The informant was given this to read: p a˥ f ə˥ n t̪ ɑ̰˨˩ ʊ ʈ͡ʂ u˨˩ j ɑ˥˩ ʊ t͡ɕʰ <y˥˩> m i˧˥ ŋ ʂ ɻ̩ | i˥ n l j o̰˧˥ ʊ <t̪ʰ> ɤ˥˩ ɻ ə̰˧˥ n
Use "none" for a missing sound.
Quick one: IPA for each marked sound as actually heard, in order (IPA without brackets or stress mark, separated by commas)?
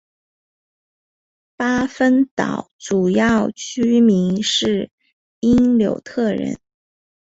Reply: y˥, t̪ʰ